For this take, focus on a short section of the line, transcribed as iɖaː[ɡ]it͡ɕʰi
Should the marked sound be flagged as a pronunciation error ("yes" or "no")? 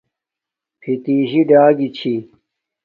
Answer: no